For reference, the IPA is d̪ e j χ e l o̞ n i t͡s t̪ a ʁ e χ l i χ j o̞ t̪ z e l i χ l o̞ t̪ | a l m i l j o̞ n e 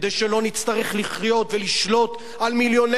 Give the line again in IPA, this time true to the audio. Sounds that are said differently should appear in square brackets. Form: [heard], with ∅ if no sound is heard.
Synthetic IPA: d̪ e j [ʃ] e l o̞ n i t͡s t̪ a ʁ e χ l i χ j o̞ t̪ [v] e l i [ʃ] l o̞ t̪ | a l m i l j o̞ n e